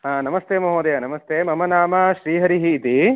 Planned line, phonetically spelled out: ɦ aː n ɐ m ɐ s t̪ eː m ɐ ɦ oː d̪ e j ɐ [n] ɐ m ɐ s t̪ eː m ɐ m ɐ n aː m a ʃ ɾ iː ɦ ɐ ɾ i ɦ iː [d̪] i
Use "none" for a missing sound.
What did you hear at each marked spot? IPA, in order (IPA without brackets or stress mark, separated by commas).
n, t̪